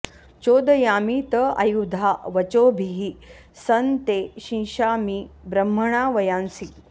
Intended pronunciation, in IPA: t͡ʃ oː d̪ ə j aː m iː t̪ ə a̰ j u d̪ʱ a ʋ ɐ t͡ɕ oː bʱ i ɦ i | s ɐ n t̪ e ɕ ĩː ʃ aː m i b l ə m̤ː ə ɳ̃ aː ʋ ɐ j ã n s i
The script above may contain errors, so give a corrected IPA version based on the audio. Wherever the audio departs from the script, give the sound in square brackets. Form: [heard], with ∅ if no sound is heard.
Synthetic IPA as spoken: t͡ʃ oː d̪ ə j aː m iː t̪ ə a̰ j u d̪ʱ a ʋ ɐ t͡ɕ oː bʱ i ɦ i | s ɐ n t̪ e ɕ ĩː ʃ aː m i b [ɾ] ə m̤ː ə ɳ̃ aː ʋ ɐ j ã n s i